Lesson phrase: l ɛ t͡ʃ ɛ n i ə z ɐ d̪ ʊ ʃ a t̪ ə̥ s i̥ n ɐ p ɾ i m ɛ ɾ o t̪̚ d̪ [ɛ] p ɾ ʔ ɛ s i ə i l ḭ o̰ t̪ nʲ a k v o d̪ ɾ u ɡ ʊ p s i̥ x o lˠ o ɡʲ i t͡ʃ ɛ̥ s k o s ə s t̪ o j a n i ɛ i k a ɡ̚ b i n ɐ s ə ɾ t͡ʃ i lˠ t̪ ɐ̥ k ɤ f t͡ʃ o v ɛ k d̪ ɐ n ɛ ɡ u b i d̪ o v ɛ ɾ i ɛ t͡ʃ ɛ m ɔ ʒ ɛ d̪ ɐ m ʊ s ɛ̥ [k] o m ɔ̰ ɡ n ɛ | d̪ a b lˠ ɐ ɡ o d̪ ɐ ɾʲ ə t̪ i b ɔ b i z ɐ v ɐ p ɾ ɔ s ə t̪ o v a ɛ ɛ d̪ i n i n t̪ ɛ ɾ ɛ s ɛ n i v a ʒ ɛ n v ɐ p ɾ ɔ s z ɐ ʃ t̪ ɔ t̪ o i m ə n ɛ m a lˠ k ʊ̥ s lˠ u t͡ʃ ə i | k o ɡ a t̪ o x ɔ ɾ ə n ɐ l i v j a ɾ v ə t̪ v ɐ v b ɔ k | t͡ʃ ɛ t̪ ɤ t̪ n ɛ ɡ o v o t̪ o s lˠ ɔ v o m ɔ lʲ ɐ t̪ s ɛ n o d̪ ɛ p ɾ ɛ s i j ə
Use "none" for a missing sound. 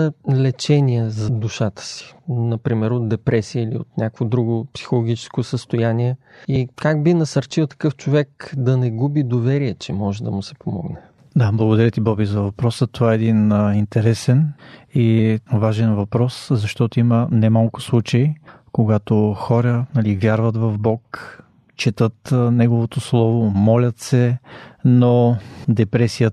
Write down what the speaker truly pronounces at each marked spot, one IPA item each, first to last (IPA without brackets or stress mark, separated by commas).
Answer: ɛ, p